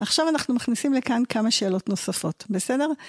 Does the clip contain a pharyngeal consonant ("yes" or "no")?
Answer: no